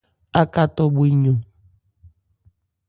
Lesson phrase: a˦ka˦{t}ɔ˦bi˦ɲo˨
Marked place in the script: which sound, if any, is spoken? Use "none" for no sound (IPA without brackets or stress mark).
t